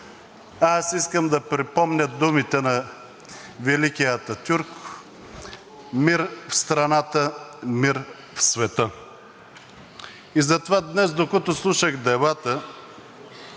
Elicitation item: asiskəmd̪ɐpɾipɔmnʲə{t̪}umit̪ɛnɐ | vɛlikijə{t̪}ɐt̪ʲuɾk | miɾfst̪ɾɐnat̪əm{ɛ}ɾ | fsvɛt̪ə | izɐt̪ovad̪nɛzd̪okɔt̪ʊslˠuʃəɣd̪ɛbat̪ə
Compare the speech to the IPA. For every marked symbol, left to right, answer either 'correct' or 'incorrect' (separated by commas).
incorrect, correct, incorrect